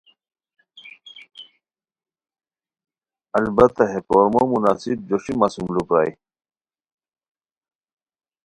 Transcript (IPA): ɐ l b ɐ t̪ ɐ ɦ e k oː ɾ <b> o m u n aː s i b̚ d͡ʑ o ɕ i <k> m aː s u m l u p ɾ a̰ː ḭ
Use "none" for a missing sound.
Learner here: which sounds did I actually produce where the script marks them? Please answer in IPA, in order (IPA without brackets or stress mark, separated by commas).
m, none